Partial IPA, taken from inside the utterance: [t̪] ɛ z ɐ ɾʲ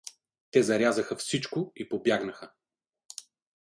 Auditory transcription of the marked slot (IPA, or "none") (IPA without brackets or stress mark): t̪